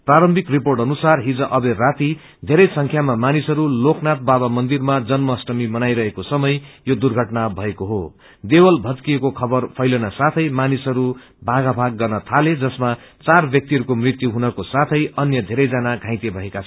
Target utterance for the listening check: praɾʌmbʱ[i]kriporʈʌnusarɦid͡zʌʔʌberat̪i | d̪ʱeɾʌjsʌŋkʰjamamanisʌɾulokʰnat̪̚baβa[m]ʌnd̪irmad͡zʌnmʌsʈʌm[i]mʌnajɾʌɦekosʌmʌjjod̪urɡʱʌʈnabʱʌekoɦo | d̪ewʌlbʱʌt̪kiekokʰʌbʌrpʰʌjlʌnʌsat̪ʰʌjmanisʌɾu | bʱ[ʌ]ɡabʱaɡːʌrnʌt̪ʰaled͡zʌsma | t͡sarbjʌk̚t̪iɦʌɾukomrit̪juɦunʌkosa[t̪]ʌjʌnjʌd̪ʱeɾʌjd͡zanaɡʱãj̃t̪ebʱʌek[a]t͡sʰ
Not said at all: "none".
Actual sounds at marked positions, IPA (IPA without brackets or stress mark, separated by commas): i, m, i, a, t̪ʰ, a